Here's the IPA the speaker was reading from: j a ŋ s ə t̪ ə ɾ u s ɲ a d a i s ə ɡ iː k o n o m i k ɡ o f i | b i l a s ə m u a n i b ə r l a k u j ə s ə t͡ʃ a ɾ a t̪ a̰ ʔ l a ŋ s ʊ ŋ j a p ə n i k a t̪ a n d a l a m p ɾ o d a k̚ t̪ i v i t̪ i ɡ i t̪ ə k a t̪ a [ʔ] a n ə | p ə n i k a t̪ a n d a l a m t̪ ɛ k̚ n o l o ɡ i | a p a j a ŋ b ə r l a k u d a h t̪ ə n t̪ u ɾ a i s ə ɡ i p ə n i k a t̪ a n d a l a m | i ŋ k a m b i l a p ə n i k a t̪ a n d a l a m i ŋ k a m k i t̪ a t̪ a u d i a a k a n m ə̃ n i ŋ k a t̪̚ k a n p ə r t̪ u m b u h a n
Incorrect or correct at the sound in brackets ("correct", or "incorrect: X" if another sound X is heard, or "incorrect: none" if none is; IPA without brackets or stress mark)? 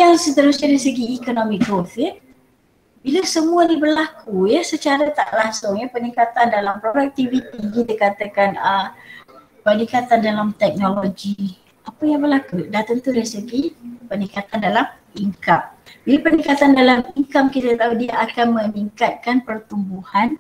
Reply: incorrect: k